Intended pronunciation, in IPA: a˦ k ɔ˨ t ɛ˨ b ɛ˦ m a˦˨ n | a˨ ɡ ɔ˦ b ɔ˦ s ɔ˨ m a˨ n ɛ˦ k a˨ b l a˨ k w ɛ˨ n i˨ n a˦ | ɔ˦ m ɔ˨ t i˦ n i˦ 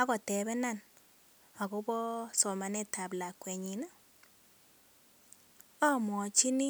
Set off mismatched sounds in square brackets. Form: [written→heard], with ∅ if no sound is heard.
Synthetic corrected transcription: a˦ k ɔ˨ t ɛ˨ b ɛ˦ [m→n] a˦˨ n | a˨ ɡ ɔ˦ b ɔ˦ s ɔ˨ m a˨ n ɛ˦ [k→t] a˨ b l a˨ k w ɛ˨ [n→ɲ] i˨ n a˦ | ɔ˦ m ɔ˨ [t→t͡ʃ] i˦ n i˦